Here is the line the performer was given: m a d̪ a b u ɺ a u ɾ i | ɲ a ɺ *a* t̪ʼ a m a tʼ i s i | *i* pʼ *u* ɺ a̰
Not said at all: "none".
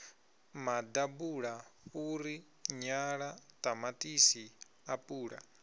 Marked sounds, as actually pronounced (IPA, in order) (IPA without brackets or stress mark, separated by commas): a, a, uː